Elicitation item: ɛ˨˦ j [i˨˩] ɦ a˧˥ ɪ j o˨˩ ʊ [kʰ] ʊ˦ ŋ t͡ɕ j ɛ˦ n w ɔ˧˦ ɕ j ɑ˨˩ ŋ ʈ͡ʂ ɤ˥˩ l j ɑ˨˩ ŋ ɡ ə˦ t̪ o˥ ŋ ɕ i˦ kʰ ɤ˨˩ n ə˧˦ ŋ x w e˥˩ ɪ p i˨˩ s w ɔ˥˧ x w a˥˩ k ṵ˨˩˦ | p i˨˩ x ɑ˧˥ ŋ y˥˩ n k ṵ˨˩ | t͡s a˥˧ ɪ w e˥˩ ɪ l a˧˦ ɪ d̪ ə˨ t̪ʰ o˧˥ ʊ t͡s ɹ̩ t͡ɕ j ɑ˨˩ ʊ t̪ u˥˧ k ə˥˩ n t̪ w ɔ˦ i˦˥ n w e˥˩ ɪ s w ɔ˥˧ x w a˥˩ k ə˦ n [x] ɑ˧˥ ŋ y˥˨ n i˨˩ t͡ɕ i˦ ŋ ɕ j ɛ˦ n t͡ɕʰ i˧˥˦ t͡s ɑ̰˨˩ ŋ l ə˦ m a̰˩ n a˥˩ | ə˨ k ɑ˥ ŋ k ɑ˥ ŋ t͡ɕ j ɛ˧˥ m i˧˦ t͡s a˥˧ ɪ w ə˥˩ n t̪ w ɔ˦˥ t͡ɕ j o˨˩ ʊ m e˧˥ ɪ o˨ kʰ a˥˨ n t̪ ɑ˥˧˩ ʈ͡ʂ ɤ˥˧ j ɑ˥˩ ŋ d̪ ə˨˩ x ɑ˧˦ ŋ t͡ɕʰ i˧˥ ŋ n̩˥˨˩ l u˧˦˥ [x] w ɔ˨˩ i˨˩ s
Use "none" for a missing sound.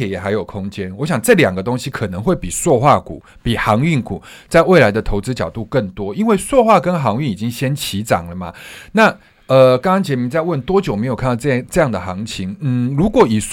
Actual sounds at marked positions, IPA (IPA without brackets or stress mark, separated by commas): ɛ˨˩, kʰ, x, k